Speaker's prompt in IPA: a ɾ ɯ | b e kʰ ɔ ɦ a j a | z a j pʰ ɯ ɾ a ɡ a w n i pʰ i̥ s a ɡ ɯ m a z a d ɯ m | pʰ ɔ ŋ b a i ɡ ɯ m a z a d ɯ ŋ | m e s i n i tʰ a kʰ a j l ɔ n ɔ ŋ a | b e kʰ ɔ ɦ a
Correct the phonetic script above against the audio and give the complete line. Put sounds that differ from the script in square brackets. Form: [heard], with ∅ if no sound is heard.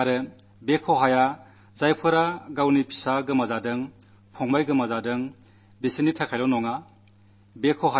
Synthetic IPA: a ɾ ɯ | b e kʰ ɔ ɦ a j a | z a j pʰ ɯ ɾ a ɡ a w n i pʰ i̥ s a ɡ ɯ m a z a d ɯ [ŋ] | pʰ ɔ ŋ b a [j] ɡ ɯ m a z a d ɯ ŋ | [b] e s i n i tʰ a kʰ a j l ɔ n ɔ ŋ a | b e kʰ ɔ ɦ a